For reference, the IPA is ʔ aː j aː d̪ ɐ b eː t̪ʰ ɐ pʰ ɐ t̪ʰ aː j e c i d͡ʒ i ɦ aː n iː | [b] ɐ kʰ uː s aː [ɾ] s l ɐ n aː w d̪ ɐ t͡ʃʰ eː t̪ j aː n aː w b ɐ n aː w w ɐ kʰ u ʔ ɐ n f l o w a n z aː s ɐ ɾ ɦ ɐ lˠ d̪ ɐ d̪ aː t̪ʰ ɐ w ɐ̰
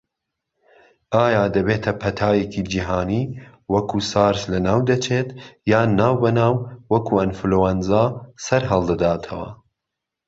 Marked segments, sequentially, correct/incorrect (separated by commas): incorrect, correct